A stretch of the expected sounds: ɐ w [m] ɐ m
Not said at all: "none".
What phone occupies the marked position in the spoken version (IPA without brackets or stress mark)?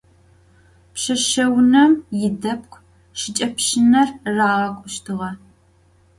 n